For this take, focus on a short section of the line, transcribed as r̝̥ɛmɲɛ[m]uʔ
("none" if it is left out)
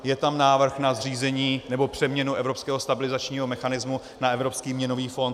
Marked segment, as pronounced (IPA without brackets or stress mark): n